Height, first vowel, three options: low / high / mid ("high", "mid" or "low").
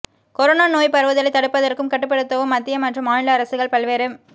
mid